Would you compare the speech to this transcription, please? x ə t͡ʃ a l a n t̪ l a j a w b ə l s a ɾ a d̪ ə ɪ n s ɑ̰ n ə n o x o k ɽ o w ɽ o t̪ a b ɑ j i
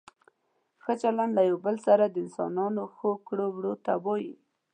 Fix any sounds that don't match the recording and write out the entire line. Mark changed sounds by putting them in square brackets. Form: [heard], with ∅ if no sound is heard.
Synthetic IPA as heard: x ə t͡ʃ a l a n [d̪] l a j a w b ə l s a ɾ a d̪ ə ɪ n s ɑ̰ n [ɑ] n o x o k ɽ o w ɽ o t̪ a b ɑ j i